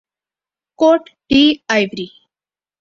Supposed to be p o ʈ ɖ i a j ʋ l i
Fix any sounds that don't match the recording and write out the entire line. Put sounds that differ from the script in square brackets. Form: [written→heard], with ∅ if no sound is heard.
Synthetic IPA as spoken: [p→k] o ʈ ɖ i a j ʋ [l→ɾ] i